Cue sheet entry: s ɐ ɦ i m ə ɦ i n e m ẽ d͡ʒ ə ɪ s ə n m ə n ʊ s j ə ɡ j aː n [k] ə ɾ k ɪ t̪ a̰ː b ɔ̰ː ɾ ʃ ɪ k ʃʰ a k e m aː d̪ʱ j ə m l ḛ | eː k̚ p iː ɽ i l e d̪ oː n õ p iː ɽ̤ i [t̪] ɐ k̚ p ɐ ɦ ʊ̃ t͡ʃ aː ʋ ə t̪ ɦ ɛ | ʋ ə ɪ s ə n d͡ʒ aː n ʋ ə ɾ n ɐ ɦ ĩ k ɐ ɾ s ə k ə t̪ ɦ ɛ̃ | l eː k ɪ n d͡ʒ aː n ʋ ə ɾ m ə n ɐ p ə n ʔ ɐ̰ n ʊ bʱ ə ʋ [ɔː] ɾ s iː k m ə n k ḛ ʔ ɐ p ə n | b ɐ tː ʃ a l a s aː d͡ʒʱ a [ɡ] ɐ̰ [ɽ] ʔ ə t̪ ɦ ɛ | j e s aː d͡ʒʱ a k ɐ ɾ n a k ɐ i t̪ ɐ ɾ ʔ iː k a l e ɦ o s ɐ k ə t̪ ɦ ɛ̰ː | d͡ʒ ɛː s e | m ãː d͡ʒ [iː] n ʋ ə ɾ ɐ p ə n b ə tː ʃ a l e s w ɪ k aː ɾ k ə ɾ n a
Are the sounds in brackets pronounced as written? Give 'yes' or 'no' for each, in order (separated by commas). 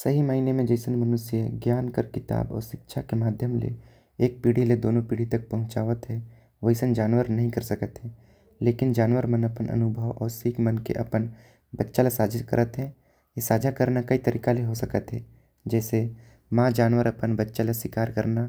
yes, yes, yes, no, no, no